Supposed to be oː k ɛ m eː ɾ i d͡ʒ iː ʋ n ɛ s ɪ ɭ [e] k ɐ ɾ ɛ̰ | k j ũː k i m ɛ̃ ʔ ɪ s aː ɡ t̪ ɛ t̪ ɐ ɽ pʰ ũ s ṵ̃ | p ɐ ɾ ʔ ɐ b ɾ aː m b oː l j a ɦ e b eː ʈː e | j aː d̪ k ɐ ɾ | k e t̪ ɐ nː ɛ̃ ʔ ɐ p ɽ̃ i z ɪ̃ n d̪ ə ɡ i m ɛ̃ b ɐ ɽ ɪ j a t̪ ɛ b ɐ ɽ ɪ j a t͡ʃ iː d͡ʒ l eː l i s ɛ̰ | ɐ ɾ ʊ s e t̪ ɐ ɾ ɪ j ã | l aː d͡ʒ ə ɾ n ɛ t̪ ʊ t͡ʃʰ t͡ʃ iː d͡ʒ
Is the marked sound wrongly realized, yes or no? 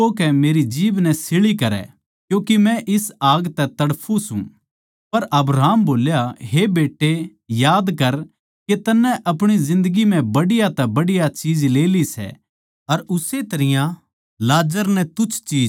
yes